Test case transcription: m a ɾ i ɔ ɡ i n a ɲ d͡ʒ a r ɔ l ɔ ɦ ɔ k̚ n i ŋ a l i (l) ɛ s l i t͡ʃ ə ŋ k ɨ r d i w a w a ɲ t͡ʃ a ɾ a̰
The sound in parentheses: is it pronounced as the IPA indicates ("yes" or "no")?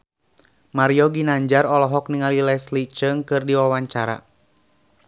yes